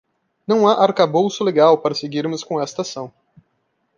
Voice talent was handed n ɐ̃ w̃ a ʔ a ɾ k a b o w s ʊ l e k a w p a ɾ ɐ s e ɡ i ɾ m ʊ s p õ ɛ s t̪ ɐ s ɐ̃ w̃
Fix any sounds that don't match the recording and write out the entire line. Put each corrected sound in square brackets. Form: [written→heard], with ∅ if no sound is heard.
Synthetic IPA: n ɐ̃ w̃ a ʔ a ɾ k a b o w s ʊ l e [k→ɡ] a w p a ɾ ɐ s e ɡ i ɾ m ʊ s [p→k] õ ɛ s t̪ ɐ s ɐ̃ w̃

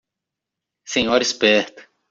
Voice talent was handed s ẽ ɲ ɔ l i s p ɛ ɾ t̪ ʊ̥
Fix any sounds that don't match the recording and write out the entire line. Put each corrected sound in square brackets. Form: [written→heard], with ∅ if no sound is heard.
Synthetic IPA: s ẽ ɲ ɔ [l→ɾ] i s p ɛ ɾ t̪ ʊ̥

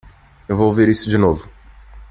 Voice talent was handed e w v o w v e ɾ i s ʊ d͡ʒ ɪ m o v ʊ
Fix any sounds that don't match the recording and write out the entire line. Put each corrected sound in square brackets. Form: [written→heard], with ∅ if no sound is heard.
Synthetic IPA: e w v o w v e ɾ i s ʊ d͡ʒ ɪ [m→n] o v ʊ

